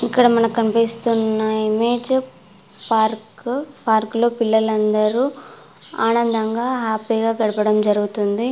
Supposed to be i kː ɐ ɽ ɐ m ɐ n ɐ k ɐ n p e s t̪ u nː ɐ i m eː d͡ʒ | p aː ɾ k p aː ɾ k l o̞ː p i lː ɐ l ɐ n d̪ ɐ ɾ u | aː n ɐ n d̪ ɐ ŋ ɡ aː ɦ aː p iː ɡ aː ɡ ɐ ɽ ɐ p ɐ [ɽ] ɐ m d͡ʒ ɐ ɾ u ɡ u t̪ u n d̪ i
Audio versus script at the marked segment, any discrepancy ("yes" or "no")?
no